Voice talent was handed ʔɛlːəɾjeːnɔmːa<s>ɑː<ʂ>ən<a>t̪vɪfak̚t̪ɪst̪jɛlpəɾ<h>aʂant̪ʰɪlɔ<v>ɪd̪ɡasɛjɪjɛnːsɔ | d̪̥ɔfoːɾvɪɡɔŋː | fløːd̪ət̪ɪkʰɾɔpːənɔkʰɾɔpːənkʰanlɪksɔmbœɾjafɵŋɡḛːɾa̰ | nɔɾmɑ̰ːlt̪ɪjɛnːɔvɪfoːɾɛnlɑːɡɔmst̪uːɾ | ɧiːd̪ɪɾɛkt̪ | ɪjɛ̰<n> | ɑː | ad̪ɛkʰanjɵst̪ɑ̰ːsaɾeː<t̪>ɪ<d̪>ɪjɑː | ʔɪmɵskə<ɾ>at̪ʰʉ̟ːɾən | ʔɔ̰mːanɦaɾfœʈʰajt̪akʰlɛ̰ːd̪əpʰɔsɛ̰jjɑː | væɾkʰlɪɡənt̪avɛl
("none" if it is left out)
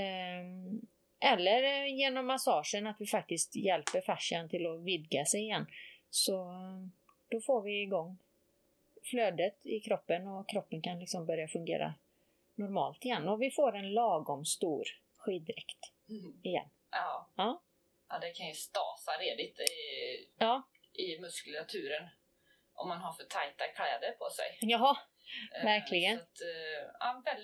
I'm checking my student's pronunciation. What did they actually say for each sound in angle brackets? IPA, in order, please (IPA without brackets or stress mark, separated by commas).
s, ʂ, a, f, v, nː, d̪, t̪, l